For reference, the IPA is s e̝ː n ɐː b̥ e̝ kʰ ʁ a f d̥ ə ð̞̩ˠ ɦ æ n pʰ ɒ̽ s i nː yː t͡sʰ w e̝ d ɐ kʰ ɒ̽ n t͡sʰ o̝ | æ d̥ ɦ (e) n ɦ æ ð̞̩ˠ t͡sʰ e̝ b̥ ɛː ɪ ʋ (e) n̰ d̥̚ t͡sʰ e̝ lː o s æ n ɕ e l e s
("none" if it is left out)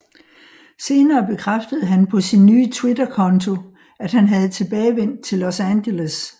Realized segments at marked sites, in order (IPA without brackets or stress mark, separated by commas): æ, e